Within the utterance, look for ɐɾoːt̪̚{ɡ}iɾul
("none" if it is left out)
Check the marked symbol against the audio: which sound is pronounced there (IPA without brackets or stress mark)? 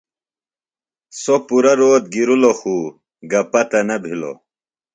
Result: ɡ